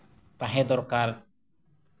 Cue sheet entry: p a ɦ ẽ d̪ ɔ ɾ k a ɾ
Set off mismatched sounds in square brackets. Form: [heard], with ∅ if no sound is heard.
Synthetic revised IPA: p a ɦ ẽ d̪ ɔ ɾ k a ɾ

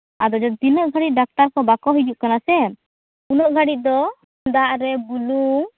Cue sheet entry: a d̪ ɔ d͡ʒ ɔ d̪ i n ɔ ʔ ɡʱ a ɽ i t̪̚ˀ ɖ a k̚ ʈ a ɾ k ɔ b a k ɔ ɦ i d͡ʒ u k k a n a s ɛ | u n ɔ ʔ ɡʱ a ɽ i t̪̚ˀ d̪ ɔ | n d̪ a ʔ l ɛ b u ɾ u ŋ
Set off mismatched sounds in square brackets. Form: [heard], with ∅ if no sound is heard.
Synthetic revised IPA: a d̪ ɔ d͡ʒ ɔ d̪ i n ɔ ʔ ɡʱ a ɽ i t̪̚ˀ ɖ a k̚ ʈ a ɾ k ɔ b a k ɔ ɦ i d͡ʒ u [ʔ] k a n a s ɛ | u n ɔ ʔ ɡʱ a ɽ i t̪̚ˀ d̪ ɔ | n d̪ a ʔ [ɾ] ɛ b u [l] u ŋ

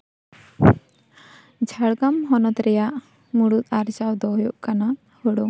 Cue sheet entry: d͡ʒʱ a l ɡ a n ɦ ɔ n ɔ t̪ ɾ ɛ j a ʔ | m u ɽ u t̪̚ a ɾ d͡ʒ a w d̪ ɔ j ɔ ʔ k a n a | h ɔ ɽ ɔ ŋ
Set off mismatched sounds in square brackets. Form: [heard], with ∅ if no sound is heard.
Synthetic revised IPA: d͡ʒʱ a [ɽ] ɡ a [m] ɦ ɔ n ɔ t̪ ɾ ɛ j a ʔ | m u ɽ u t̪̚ a ɾ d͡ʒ a w d̪ ɔ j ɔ ʔ k a n a | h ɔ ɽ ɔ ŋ

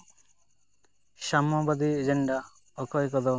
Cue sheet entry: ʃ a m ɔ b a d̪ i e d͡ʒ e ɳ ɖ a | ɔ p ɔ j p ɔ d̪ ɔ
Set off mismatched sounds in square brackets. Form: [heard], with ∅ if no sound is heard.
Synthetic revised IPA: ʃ a m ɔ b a d̪ i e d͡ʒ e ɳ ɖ a | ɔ [k] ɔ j [k] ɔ d̪ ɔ

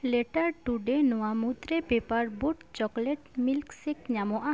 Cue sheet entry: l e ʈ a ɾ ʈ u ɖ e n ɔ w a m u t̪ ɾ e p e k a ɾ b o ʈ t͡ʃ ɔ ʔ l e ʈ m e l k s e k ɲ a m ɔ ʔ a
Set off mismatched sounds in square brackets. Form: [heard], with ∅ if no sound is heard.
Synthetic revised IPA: l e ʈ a ɾ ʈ u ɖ e n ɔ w a m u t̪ ɾ e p e [p] a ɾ b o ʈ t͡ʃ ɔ [k] l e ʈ m [i] l k s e k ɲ a m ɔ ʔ a

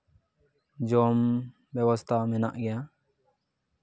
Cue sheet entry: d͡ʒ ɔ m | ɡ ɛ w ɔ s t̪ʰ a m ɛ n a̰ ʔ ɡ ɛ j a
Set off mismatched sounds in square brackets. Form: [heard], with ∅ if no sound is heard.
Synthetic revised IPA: d͡ʒ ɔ m | [b] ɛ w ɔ s t̪ʰ a m ɛ n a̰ ʔ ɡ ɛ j a

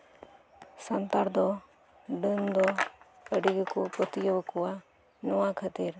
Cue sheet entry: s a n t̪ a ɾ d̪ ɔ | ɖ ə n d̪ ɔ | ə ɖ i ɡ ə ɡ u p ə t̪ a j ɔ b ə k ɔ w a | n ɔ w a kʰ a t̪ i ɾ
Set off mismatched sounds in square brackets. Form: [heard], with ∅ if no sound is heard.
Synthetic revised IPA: s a n t̪ a ɾ d̪ ɔ | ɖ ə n d̪ ɔ | ə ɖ i ɡ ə [k] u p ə t̪ [i] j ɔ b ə k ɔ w a | n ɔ w a kʰ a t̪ i ɾ

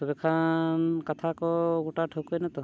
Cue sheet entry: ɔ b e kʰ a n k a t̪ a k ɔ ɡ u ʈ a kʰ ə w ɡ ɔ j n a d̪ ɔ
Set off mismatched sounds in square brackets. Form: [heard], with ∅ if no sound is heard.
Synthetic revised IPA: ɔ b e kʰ a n k a [t̪ʰ] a k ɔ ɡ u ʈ a [ʈʰ] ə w [k] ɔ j n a [t̪] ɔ

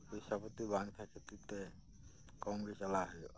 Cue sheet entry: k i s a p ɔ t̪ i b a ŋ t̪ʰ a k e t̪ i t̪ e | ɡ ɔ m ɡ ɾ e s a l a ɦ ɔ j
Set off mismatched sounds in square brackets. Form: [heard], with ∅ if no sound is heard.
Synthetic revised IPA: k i s a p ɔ t̪ i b a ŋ t̪ʰ a k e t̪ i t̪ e | [k] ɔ [ŋ] ɡ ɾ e s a l a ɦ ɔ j

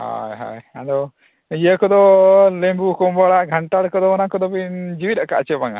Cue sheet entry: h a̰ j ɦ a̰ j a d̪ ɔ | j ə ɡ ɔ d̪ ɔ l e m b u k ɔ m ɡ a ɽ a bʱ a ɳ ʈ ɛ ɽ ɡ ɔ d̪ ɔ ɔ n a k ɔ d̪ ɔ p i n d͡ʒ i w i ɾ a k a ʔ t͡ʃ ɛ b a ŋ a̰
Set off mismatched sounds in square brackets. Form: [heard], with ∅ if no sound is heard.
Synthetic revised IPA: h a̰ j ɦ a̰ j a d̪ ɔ | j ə [k] ɔ d̪ ɔ l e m b u k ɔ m [b] a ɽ a [ɡʱ] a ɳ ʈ [a] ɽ [k] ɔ d̪ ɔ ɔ n a k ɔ d̪ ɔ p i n d͡ʒ i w i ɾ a k a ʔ t͡ʃ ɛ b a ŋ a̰

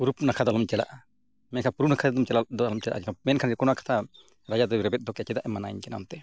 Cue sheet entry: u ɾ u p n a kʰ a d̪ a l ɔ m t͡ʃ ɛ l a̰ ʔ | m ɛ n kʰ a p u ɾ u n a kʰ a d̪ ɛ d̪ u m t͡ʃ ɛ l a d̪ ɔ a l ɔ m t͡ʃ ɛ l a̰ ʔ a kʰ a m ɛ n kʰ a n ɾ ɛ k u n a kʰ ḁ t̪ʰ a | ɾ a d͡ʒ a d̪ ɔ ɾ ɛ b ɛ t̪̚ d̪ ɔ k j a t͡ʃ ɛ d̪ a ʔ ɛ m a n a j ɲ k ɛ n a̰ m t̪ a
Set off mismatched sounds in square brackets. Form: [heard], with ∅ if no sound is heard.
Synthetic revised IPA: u ɾ u p n a kʰ a d̪ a l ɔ m t͡ʃ ɛ l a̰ ʔ | m ɛ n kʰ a p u ɾ u n a kʰ a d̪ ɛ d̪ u m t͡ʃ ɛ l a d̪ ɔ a l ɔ m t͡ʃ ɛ l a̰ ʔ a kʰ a m ɛ n kʰ a n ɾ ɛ k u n a kʰ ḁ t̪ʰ a | ɾ a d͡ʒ a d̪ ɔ ɾ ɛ b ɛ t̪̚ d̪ ɔ k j a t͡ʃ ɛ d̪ a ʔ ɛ m a n a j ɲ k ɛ n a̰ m t̪ [ɛ]

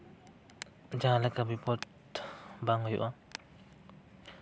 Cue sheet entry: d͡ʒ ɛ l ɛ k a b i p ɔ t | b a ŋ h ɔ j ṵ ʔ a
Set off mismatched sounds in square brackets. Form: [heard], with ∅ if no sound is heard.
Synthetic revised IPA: d͡ʒ [a] l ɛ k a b i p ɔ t | b a ŋ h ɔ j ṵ ʔ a

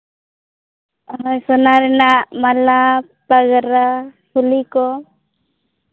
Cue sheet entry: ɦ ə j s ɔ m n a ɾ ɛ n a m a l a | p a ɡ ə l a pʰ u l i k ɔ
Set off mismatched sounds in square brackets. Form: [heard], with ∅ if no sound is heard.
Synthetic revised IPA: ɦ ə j s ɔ [∅] n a ɾ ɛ n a m a l a | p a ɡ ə [ɾ] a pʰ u l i k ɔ

